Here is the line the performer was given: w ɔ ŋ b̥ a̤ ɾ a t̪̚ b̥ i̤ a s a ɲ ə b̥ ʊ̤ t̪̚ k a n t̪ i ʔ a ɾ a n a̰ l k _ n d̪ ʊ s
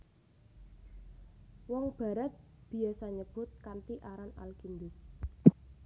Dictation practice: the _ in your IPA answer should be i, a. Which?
i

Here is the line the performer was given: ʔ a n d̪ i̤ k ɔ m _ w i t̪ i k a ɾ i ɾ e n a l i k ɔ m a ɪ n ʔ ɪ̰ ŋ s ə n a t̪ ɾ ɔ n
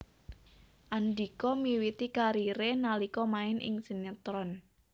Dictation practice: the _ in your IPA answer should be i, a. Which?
i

